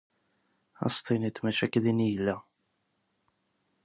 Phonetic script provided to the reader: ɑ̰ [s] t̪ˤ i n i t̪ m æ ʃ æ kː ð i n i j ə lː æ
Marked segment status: correct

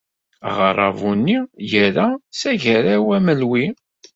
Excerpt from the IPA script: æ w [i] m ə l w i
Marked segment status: incorrect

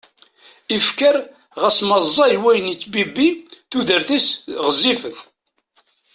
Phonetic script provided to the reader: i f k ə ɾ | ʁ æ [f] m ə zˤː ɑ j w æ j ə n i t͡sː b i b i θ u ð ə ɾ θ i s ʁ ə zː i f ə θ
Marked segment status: incorrect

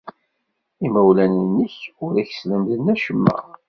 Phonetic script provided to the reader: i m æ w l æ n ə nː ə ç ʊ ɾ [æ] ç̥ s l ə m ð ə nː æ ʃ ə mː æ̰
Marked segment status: correct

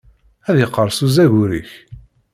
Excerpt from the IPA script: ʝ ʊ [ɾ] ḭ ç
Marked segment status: correct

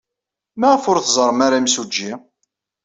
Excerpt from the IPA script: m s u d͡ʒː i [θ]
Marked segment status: incorrect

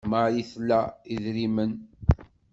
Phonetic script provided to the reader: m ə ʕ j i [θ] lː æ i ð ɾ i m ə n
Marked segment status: correct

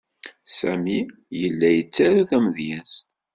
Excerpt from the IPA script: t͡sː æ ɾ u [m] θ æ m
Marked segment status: incorrect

